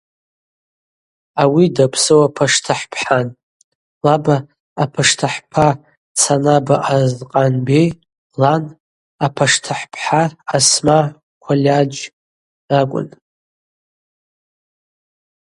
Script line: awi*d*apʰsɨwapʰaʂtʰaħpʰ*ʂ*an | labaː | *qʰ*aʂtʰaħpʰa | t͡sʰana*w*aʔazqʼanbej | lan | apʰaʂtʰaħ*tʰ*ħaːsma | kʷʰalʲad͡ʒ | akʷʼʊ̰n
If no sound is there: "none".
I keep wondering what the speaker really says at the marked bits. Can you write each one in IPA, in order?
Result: d, ħ, pʰ, b, pʰ

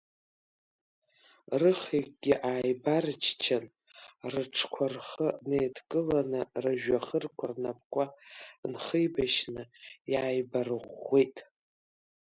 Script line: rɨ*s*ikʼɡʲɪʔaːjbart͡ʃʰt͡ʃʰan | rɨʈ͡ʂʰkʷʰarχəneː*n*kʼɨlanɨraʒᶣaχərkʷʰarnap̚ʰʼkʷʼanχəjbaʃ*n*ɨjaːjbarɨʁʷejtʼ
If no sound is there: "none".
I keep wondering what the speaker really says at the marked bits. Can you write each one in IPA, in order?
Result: χ, d, n

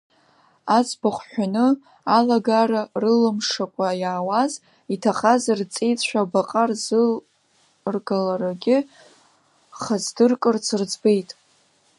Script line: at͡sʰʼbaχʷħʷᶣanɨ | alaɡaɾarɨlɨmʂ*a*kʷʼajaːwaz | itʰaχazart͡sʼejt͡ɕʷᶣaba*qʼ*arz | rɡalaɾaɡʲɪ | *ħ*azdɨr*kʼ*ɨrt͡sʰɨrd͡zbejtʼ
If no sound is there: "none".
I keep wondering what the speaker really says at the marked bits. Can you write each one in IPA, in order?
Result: a, qʼ, χ, kʼ

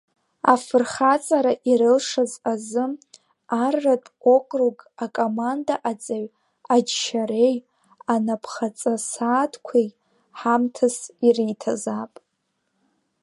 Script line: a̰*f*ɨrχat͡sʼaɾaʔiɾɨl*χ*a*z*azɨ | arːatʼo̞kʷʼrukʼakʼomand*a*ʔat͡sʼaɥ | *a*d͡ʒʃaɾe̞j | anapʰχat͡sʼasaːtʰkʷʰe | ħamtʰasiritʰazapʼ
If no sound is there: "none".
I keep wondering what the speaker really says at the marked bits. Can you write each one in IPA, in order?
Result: f, ʂ, z, a, a

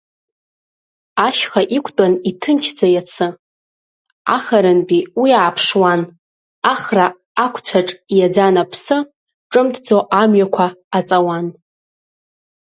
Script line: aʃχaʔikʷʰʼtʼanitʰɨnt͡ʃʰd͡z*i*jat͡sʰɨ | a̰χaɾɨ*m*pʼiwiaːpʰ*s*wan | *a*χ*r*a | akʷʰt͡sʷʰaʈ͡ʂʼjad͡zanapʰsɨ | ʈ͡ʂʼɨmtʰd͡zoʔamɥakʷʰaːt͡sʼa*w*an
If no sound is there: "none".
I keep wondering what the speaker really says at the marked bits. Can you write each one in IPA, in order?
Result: a, n, ʂ, a, r, w

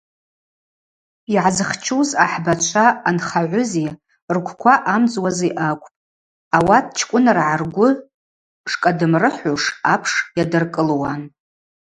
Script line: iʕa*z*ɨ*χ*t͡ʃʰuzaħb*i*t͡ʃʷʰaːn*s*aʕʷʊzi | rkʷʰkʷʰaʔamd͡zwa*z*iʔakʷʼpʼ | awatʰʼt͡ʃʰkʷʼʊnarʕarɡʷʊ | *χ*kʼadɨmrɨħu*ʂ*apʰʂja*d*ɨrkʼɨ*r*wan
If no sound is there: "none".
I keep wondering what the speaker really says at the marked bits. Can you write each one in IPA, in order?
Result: z, χ, a, χ, z, ʂ, ʂ, d, l

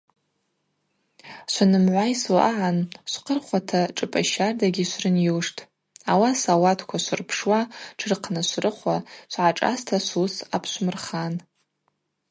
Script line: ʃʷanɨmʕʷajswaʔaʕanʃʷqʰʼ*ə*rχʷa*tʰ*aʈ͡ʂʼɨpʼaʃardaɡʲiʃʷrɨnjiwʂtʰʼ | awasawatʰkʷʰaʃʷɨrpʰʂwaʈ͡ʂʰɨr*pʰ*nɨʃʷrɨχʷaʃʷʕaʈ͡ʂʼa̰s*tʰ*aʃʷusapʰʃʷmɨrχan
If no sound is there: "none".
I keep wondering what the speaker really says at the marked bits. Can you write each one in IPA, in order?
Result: ə, tʰ, qʰ, tʰ

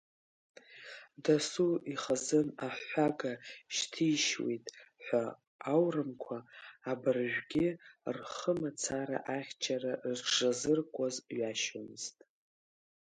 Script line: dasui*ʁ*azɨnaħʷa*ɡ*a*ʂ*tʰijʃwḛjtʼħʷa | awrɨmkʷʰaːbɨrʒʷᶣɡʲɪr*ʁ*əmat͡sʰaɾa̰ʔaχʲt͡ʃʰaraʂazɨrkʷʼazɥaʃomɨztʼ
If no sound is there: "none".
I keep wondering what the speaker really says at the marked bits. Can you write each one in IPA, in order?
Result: χ, ɡ, ʃ, χ

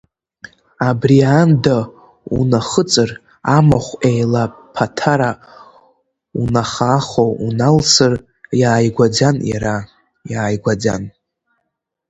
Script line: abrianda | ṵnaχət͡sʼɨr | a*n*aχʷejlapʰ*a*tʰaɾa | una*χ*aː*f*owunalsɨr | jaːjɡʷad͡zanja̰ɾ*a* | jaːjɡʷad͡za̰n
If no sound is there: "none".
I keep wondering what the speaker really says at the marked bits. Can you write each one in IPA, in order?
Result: m, a, χ, χ, a

